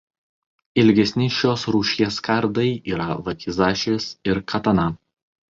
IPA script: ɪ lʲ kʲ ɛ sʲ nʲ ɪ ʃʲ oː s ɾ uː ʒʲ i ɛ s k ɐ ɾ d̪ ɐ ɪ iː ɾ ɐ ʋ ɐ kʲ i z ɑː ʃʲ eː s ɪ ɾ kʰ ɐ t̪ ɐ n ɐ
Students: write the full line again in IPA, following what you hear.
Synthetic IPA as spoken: ɪ lʲ ɡʲ ɛ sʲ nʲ ɪ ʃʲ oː s ɾ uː ʃʲ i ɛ s k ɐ ɾ d̪ ɐ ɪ iː ɾ ɐ ʋ ɐ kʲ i z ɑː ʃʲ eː s ɪ ɾ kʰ ɐ t̪ ɐ n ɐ